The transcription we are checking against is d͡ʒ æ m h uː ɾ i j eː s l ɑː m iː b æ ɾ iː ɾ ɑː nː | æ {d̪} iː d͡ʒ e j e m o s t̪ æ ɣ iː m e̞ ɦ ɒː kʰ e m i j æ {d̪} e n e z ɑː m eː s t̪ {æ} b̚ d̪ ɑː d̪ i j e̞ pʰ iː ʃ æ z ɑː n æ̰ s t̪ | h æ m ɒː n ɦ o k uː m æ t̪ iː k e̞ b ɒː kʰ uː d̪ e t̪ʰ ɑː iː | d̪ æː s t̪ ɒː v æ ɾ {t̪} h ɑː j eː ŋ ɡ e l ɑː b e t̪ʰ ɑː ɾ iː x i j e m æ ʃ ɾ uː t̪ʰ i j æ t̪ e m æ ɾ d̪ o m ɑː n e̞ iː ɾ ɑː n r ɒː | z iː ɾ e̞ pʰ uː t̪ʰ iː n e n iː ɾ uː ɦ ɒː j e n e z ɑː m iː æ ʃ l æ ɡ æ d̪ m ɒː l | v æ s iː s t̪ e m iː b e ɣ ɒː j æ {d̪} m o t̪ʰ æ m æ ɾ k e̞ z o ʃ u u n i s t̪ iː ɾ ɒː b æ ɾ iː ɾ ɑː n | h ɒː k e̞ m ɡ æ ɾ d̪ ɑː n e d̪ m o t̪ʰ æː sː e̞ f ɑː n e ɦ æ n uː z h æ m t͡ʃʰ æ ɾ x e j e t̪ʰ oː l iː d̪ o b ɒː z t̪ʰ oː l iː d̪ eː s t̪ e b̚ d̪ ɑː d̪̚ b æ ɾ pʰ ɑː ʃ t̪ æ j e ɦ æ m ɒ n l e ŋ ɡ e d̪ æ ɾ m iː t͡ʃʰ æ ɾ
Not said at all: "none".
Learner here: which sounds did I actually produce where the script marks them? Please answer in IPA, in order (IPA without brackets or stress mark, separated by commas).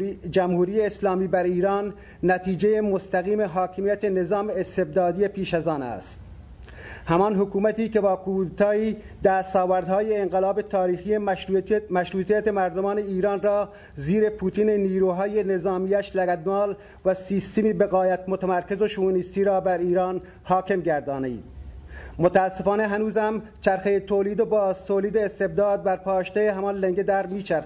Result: t̪, t̪, e, d̪, t̪